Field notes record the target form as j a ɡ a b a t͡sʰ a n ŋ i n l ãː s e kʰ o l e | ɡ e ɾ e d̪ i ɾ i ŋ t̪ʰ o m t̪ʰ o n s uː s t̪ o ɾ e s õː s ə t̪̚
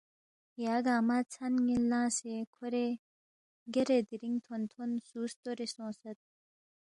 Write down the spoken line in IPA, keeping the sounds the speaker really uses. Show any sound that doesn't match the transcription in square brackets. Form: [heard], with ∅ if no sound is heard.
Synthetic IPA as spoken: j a ɡ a [m] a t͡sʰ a n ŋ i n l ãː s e kʰ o [ɾ] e | ɡ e ɾ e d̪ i ɾ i ŋ t̪ʰ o [n] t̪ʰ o n s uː s t̪ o ɾ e s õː s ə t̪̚